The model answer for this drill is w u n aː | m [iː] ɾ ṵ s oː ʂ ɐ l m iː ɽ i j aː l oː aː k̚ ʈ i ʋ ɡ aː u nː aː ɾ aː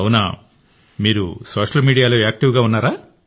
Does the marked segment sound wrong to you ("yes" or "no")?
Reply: no